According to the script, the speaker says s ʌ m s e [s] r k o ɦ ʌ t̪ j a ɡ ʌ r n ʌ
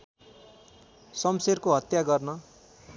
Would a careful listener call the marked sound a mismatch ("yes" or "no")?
yes